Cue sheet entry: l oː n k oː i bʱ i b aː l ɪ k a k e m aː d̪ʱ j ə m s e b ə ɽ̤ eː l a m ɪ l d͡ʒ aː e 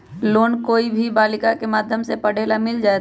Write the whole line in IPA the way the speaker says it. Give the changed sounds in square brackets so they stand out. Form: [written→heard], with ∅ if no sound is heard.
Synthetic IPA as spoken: l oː n k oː i bʱ i b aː l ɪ k a k e m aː d̪ʱ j ə m s e [b→p] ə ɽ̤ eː l a m ɪ l d͡ʒ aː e